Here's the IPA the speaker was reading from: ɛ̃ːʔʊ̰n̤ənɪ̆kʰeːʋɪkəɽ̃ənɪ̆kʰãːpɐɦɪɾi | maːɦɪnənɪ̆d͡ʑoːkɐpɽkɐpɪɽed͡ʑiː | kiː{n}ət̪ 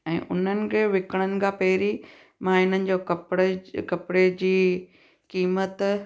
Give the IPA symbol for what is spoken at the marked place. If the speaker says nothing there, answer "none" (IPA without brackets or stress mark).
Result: m